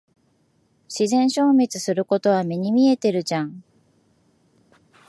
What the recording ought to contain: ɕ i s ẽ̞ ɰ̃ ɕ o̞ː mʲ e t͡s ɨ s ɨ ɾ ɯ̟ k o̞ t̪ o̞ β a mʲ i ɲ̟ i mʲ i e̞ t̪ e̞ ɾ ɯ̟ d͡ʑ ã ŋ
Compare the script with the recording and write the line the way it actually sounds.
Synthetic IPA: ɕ i z ẽ̞ ɰ̃ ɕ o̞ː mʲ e t͡s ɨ s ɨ ɾ ɯ̟ k o̞ t̪ o̞ β a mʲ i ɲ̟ i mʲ i e̞ t̪ e̞ ɾ ɯ̟ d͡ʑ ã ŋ